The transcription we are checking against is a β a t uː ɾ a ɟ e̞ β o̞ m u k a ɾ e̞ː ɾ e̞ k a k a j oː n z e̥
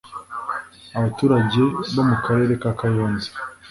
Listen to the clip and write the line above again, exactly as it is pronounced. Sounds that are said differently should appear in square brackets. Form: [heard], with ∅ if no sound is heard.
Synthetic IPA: a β a t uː ɾ a ɟ e̞ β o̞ m u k a ɾ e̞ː ɾ e̞ k a k a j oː n z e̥